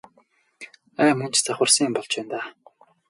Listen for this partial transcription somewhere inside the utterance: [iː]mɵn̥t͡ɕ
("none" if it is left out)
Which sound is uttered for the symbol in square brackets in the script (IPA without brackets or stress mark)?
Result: æː